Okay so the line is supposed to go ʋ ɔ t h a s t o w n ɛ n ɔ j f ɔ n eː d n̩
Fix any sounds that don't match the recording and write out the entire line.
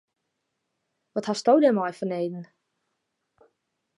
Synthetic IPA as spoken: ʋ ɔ t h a s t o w d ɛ m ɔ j f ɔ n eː d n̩